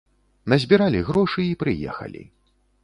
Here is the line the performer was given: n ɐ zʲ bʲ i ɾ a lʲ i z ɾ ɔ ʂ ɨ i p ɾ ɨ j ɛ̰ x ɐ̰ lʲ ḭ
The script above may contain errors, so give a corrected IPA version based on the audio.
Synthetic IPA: n ɐ zʲ bʲ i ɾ a lʲ i ɣ ɾ ɔ ʂ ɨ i p ɾ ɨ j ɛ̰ x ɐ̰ lʲ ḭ